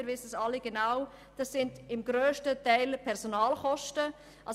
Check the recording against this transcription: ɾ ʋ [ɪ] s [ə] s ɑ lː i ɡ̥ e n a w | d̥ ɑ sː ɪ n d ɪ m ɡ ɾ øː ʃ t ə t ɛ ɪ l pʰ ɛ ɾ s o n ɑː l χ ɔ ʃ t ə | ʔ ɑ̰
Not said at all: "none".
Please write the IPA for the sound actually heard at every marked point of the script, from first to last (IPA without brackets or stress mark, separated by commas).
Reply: ɪ, ə